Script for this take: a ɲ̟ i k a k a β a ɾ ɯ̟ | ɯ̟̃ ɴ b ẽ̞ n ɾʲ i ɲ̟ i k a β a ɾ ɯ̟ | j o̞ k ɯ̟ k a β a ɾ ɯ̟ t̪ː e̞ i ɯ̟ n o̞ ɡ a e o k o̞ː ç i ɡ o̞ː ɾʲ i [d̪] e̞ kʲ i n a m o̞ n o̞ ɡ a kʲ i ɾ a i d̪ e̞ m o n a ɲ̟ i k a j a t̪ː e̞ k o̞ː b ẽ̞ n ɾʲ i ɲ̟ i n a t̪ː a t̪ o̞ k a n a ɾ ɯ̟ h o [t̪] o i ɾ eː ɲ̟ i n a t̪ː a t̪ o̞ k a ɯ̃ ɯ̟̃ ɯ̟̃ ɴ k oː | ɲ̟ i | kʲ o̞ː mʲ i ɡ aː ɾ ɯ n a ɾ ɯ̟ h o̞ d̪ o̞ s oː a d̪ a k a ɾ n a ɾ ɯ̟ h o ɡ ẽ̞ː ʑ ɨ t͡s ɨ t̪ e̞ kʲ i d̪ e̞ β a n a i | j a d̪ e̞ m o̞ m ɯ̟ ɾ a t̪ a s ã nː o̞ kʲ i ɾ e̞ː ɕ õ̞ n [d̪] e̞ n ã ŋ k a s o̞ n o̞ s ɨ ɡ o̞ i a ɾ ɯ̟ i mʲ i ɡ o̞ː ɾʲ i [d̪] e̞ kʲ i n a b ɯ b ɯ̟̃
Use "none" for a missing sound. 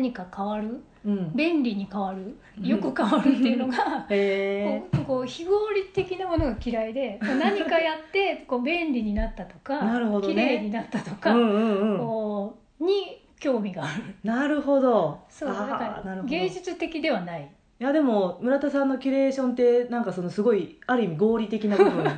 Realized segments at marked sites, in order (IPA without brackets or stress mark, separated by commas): t̪, d̪, t̪, t̪